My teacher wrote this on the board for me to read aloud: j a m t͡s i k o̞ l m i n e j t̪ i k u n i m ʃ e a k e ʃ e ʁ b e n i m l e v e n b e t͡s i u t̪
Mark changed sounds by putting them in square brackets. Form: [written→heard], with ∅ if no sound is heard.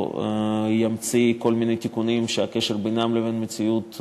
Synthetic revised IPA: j a m t͡s i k o̞ l m i n e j t̪ i k u n i m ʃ e a k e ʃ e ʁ b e n [i→a] m l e v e n [b→m] e t͡s i u t̪